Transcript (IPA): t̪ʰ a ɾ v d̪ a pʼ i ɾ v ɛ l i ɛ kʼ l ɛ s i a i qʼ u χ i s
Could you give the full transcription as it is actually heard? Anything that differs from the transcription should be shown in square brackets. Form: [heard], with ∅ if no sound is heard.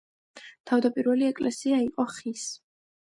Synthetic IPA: t̪ʰ a [∅] v d̪ a pʼ i ɾ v ɛ l i ɛ kʼ l ɛ s i a i qʼ [ɔ] χ i s